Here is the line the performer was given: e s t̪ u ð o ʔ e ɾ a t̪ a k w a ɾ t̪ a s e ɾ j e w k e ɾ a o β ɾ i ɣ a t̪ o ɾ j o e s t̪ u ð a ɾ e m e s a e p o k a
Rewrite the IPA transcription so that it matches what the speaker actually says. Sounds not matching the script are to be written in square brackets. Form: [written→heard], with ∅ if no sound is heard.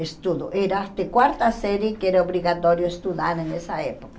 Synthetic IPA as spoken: e s t̪ u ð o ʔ e ɾ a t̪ [a→e] k w a ɾ t̪ a s e ɾ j e [w→∅] k e ɾ a o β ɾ i ɣ a t̪ o ɾ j o e s t̪ u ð a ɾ e [m→n] e s a e p o k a